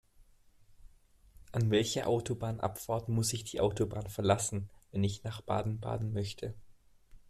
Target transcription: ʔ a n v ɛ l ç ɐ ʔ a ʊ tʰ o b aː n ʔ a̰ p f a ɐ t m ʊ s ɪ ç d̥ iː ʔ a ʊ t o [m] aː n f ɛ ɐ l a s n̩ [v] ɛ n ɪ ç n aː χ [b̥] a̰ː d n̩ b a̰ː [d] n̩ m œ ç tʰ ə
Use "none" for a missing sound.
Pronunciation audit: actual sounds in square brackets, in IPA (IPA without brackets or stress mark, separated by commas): b, v, b̥, d